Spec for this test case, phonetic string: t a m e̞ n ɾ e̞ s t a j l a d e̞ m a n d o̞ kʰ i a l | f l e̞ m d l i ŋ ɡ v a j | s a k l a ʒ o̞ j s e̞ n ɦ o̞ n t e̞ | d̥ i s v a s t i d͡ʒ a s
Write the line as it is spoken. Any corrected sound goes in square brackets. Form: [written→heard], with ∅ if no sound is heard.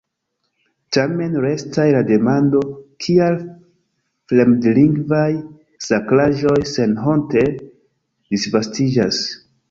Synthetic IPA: t a m e̞ n ɾ e̞ s t a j l a d e̞ m a n d o̞ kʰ i a l | f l e̞ m d l i ŋ ɡ v a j | s a k l a ʒ o̞ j s e̞ n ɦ o̞ n t e̞ | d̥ i s v a s t i d͡ʒ a s